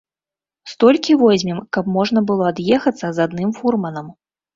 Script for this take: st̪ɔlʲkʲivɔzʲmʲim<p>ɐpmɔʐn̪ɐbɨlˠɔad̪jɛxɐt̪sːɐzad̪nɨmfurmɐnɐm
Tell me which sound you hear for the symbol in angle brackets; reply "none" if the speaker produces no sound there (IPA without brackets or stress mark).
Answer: k